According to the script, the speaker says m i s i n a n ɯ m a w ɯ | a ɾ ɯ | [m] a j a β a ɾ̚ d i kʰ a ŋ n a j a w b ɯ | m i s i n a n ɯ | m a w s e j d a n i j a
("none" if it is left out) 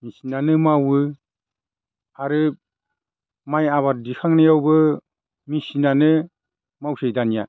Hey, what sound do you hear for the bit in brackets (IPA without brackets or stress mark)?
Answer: m